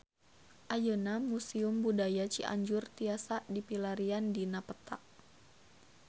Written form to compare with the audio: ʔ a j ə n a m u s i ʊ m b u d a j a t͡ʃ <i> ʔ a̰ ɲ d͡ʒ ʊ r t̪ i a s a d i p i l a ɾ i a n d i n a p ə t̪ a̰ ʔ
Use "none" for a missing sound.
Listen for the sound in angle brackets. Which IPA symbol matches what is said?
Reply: i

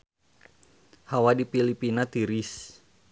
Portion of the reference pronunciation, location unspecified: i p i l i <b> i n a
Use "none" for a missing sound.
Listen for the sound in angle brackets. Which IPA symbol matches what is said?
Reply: p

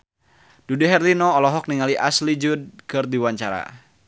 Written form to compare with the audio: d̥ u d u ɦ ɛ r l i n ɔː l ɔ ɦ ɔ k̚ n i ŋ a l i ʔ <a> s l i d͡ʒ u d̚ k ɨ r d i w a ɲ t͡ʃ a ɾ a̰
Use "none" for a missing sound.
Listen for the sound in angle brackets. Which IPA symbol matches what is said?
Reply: a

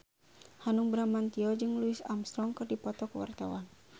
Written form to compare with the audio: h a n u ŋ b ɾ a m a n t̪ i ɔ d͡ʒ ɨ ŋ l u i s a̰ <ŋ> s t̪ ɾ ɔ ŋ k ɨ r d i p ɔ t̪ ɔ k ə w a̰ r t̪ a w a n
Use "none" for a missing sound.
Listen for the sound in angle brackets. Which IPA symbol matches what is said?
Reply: m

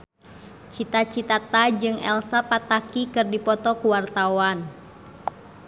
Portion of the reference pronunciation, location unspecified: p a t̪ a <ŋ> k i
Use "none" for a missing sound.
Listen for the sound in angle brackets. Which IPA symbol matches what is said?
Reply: none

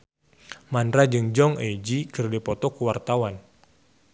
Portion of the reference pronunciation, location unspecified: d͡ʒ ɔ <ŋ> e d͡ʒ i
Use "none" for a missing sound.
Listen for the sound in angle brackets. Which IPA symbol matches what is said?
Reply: ŋ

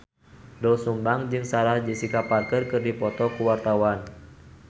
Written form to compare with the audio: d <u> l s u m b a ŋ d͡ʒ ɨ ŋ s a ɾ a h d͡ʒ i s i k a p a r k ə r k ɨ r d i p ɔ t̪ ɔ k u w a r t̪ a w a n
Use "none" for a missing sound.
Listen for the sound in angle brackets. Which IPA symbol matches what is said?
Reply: ɔ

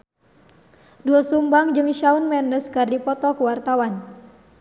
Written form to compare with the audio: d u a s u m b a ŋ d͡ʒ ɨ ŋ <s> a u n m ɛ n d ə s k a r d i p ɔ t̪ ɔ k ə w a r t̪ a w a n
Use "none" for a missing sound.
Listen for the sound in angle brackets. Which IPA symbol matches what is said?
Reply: ʃ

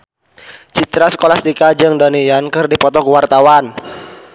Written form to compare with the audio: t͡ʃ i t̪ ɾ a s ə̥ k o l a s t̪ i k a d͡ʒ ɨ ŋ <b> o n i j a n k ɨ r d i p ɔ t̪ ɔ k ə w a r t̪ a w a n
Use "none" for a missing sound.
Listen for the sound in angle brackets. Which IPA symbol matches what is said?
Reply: d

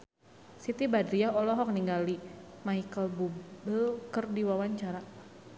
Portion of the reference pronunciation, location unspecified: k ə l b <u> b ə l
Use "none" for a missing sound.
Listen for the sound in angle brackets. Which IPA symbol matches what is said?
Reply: u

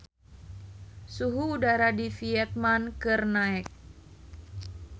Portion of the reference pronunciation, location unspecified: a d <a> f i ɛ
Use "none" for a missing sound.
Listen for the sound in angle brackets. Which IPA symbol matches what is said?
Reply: i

